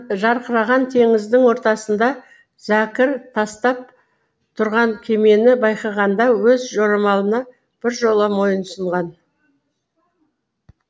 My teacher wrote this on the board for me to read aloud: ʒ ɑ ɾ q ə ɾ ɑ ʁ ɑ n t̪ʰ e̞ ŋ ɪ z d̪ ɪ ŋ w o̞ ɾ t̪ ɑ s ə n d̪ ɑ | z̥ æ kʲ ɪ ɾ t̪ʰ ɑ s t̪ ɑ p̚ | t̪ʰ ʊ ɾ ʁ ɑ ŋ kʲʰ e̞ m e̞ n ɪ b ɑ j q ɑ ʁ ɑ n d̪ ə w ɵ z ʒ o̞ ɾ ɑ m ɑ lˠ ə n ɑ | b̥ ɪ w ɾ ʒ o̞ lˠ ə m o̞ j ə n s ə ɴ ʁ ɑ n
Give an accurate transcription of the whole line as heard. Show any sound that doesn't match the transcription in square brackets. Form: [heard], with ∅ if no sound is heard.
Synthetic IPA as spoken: ʒ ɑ ɾ q ə ɾ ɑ ʁ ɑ n t̪ʰ e̞ ŋ ɪ z d̪ ɪ ŋ w o̞ ɾ t̪ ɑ s ə n d̪ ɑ | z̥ æ kʲ ɪ ɾ t̪ʰ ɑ s t̪ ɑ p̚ | t̪ʰ ʊ ɾ ʁ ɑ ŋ kʲʰ e̞ m e̞ n ɪ b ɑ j q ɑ ʁ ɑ n d̪ [ɑ] w ɵ z ʒ o̞ ɾ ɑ m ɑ lˠ ə n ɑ | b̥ ɪ [∅] ɾ ʒ o̞ lˠ ə m o̞ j ə n s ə ɴ ʁ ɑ n